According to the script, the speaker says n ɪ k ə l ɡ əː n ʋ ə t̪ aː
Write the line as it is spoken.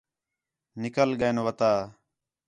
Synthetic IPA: n ɪ k ə l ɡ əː n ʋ ə t̪ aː